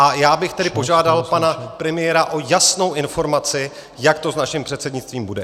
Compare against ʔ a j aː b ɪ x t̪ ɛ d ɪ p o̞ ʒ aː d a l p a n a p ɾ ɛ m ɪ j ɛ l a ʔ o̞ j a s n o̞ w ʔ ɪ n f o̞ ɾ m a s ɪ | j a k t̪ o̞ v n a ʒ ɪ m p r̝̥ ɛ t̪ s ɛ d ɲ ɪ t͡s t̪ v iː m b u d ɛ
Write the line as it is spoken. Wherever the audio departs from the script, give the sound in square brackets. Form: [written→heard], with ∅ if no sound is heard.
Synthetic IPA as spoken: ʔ a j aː b ɪ x t̪ ɛ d ɪ p o̞ ʒ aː d a l p a n a p ɾ ɛ m ɪ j ɛ [l→ɾ] a ʔ o̞ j a s n o̞ w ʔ ɪ n f o̞ ɾ m a [s→t͡s] ɪ | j a k t̪ o̞ [v→z] n a [ʒ→ʃ] ɪ m p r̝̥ ɛ t̪ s ɛ d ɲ ɪ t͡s t̪ v iː m b u d ɛ

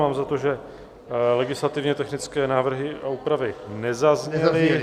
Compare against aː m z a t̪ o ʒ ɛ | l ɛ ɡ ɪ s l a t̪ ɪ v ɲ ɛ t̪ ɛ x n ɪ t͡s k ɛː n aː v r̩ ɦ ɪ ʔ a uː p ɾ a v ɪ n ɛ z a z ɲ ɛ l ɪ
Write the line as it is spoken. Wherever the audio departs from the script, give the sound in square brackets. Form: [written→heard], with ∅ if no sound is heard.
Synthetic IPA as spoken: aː m z a t̪ o ʒ ɛ | l ɛ ɡ ɪ s l a t̪ ɪ v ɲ ɛ t̪ ɛ x n ɪ t͡s k ɛː n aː v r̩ ɦ ɪ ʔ a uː p ɾ a v ɪ n ɛ z a z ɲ ɛ l ɪ

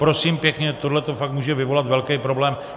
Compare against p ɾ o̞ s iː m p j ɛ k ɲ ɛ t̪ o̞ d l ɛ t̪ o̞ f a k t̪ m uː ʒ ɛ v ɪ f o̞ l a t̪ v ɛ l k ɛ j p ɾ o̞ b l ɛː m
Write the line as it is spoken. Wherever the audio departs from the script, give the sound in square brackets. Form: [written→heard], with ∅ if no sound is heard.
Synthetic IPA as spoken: p ɾ o̞ s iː m p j ɛ k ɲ ɛ t̪ o̞ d l ɛ t̪ o̞ f a k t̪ m uː ʒ ɛ v ɪ [f→v] o̞ l a t̪ v ɛ l k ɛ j p ɾ o̞ b l ɛː m

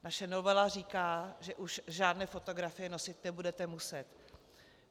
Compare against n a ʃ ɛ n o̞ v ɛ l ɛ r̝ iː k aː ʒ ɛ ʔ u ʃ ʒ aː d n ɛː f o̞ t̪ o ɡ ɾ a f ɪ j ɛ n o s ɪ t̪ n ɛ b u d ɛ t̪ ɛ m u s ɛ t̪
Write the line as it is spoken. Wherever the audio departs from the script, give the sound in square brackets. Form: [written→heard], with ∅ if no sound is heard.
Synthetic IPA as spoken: n a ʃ ɛ n o̞ v ɛ l [ɛ→a] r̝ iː k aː ʒ ɛ ʔ u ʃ ʒ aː d n ɛː f o̞ t̪ o ɡ ɾ a f ɪ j ɛ n o s ɪ t̪ n ɛ b u d ɛ t̪ ɛ m u s ɛ t̪

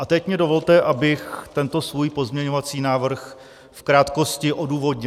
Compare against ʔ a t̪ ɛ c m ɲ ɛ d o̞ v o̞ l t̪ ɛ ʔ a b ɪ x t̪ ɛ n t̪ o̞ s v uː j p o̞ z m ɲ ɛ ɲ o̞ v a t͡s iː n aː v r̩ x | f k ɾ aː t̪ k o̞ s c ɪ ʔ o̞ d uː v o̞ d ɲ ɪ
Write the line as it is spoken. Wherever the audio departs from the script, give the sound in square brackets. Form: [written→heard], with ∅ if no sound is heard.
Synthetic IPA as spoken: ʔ a t̪ ɛ c m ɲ ɛ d o̞ v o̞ l t̪ ɛ ʔ a b ɪ x t̪ ɛ n t̪ o̞ s v uː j p o̞ z m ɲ ɛ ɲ o̞ v a t͡s iː n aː v r̩ x | f k ɾ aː t̪ k o̞ s c ɪ ʔ o̞ d uː v o̞ d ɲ ɪ

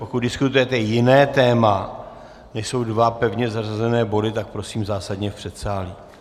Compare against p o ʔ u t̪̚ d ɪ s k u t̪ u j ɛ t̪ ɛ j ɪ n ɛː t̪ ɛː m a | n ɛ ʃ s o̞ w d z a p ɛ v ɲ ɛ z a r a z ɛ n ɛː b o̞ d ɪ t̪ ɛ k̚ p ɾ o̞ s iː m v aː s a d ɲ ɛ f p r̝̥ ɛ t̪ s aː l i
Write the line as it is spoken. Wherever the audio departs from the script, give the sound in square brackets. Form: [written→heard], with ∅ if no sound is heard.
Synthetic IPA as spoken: p o [ʔ→k] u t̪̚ d ɪ s k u t̪ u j ɛ t̪ ɛ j ɪ n ɛː t̪ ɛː m a | n ɛ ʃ s o̞ w d [z→v] a p ɛ v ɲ ɛ z a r a z ɛ n ɛː b o̞ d ɪ t̪ [ɛ→a] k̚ p ɾ o̞ s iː m [v→z] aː s a d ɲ ɛ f p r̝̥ ɛ t̪ s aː l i

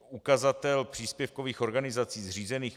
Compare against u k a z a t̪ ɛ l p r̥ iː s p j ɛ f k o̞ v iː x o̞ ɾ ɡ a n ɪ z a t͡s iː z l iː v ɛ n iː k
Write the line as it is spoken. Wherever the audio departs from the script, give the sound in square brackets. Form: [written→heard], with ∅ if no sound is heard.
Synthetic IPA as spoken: u k a z a t̪ ɛ l p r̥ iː s p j ɛ f k o̞ v iː x o̞ ɾ ɡ a n ɪ z a t͡s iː z [l→r] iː [v→z] ɛ n iː [k→x]

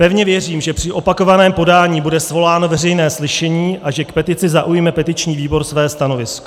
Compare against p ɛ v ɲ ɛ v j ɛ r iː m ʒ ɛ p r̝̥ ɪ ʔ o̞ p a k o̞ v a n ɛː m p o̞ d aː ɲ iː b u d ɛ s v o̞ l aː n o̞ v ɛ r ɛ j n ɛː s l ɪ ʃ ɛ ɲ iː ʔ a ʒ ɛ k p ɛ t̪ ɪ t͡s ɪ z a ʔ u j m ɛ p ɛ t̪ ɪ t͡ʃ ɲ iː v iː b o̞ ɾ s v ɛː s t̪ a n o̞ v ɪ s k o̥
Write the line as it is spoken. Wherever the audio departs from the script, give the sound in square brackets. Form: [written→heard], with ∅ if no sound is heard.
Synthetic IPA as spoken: p ɛ v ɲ ɛ v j ɛ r iː m ʒ ɛ p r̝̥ ɪ ʔ o̞ p a k o̞ v a n ɛː m p o̞ d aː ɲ iː b u d ɛ s v o̞ l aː n o̞ v ɛ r ɛ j n ɛː s l ɪ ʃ ɛ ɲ iː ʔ a ʒ ɛ k p ɛ t̪ ɪ t͡s ɪ z a ʔ u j m ɛ p ɛ t̪ ɪ t͡ʃ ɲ iː v iː b o̞ ɾ s v ɛː s t̪ a n o̞ v ɪ s k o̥

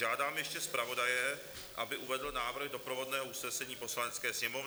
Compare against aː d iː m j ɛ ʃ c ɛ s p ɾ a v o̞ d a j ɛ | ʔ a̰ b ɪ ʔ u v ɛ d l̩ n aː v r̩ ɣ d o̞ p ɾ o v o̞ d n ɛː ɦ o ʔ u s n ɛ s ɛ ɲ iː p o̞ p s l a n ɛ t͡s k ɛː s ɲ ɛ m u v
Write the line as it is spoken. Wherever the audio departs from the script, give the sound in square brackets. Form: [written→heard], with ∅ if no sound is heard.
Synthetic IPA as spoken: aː d [iː→aː] m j ɛ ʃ c ɛ s p ɾ a v o̞ d a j ɛ | ʔ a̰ b ɪ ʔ u v ɛ d l̩ n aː v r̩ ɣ d o̞ p ɾ o v o̞ d n ɛː ɦ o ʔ u s n ɛ s ɛ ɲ iː p o̞ [p→∅] s l a n ɛ t͡s k ɛː s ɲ ɛ m [u→o] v

